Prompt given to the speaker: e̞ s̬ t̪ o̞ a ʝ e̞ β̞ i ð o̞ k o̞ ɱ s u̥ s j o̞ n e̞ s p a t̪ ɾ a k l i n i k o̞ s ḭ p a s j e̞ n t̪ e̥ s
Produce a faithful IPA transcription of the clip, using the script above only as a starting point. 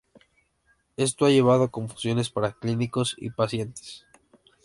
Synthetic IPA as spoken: e̞ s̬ t̪ o̞ a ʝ e̞ β̞ a ð o̞ k o̞ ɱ f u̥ s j o̞ n e̞ s p a ɾ a k l i n i k o̞ s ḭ p a s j e̞ n t̪ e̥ s